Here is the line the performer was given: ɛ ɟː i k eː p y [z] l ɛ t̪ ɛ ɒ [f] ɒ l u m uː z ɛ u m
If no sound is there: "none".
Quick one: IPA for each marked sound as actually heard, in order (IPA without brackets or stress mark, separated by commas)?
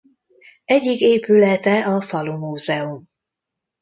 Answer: none, f